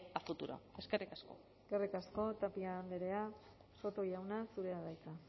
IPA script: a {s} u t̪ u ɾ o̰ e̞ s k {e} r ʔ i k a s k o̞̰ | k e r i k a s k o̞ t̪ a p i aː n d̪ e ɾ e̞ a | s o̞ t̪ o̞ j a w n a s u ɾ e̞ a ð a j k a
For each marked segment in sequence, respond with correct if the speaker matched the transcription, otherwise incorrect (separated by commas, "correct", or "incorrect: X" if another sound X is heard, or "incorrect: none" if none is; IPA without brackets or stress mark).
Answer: incorrect: f, correct